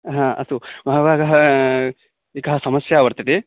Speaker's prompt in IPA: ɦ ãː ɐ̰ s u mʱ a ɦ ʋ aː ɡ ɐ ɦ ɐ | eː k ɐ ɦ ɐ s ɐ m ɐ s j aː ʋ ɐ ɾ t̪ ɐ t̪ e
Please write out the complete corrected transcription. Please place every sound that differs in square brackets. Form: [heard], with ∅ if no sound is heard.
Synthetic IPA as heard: ɦ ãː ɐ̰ s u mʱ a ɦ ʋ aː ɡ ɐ ɦ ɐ | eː k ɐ ɦ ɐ s ɐ m ɐ s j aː ʋ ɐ ɾ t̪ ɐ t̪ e